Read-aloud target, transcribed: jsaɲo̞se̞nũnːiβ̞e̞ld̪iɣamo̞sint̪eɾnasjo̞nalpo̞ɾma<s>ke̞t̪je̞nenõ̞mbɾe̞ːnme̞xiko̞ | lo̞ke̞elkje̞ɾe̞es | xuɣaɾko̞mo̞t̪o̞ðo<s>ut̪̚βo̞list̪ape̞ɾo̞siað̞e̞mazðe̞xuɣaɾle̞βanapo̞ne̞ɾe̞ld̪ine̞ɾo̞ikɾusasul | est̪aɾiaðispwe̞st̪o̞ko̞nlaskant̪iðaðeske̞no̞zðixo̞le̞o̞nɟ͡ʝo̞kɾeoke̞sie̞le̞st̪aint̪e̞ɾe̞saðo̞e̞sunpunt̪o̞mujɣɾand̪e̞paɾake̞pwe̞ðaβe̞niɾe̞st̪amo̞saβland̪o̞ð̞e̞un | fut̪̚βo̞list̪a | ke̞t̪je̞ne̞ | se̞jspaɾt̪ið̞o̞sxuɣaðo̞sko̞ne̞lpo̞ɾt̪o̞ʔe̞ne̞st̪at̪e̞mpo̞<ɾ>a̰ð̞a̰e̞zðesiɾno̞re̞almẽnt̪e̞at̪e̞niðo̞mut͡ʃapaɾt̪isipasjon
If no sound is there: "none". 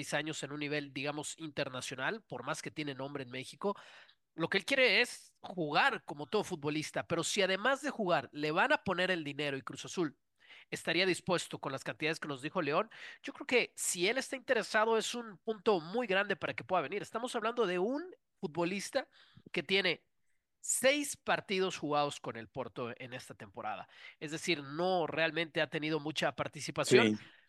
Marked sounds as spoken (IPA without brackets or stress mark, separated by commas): s, f, ɾ